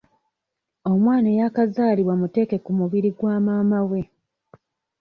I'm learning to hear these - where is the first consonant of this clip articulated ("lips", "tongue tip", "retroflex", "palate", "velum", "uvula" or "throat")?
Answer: lips